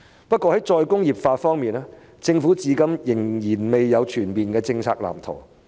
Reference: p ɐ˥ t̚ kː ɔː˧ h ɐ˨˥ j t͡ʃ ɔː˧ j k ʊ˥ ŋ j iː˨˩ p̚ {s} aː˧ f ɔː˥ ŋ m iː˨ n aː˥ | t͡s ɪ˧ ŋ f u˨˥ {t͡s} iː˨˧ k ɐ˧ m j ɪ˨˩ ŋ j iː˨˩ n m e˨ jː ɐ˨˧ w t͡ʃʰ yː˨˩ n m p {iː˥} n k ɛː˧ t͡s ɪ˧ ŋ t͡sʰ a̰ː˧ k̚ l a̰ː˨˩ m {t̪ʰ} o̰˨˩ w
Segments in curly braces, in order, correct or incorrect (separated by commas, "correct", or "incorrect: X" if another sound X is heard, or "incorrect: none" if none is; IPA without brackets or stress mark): incorrect: f, correct, incorrect: iː˨, correct